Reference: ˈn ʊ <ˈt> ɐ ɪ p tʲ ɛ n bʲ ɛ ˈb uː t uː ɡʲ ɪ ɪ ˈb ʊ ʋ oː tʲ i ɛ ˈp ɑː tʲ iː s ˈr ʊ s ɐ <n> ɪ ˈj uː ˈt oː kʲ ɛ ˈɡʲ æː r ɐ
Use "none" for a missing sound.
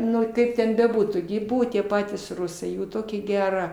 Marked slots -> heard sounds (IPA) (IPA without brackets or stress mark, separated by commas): k, none